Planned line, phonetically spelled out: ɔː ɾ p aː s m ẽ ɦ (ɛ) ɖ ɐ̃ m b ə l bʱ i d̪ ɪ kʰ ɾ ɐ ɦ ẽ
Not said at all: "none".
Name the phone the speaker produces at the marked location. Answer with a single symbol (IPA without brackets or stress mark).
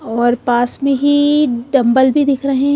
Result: i